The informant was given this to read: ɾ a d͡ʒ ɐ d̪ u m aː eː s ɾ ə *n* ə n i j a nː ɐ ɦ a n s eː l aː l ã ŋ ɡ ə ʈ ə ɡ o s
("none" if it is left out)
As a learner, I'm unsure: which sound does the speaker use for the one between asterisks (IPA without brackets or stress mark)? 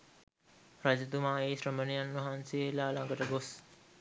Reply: m